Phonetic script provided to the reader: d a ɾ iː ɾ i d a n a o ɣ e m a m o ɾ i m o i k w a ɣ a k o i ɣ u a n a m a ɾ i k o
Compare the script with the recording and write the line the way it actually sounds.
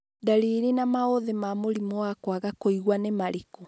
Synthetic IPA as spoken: d a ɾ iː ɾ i n a m a o ð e m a m o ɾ i m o a k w a ɣ a k o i ɣ w a n e m a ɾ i k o